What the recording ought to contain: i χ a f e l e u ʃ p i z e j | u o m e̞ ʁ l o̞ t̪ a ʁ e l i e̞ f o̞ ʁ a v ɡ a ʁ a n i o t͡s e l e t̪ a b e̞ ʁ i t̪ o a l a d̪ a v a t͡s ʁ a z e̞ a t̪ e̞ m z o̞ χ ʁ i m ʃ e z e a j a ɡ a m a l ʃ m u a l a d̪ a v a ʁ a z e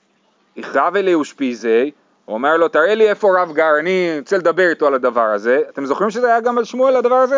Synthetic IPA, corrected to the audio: i χ a v e l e u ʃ p i z e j | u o m e̞ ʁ l o̞ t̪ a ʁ e l i e̞ f o̞ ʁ a v ɡ a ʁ a n i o t͡s e l e d̪ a b e̞ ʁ i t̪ o a l a d̪ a v a ʁ a z e̞ a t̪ e̞ m z o̞ χ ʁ i m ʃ e z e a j a ɡ a m a l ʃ m u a l a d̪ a v a ʁ a z e